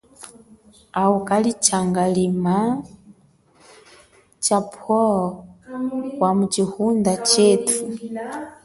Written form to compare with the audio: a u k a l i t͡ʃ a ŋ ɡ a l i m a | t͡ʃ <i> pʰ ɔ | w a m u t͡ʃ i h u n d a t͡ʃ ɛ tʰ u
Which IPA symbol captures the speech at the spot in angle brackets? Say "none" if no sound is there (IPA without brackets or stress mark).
a